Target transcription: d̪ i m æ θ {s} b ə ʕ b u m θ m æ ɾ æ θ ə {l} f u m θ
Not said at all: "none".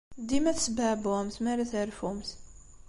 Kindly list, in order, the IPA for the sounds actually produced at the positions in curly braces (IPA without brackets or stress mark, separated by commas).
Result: s, ɾ